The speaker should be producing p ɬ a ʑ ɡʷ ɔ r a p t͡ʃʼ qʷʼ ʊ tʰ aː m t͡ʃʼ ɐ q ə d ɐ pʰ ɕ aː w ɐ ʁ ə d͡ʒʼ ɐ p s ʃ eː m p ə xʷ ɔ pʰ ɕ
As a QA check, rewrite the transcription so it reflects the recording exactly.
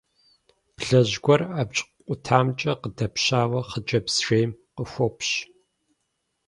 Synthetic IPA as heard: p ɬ ɐ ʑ ɡʷ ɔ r a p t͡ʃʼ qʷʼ ʊ tʰ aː m t͡ʃʼ ɐ q ə d ɐ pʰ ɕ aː w ɐ χ ə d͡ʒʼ ɐ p s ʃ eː m q ə xʷ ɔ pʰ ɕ